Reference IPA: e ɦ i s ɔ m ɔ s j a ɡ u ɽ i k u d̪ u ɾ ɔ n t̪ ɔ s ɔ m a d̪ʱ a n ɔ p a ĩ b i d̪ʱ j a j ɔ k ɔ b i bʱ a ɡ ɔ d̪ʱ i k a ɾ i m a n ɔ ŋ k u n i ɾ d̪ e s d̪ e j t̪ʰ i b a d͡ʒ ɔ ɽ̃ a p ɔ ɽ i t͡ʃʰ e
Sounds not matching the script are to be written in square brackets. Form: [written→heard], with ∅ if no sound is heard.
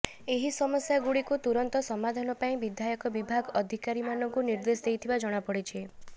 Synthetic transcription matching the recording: e ɦ i s ɔ m ɔ s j a ɡ u ɽ i k u [d̪→t̪] u ɾ ɔ n t̪ ɔ s ɔ m a d̪ʱ a n ɔ p a ĩ b i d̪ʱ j a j ɔ k ɔ b i bʱ a ɡ ɔ d̪ʱ i k a ɾ i m a n ɔ ŋ k u n i ɾ d̪ e s d̪ e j t̪ʰ i b a d͡ʒ ɔ ɽ̃ a p ɔ ɽ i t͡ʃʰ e